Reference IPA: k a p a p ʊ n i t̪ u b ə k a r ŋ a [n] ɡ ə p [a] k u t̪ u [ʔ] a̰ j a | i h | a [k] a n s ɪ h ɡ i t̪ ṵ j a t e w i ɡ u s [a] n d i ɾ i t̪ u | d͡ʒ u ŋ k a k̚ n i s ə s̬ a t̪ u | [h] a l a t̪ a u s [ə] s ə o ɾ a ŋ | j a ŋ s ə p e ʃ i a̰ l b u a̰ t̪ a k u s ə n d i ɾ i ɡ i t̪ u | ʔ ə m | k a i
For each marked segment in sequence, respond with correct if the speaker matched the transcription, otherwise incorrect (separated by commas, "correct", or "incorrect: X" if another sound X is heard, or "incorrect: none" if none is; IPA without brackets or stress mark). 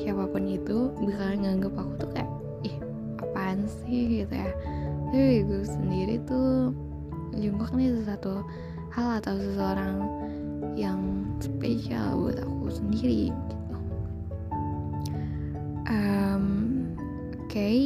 incorrect: ŋ, correct, incorrect: k, incorrect: p, incorrect: ə, correct, correct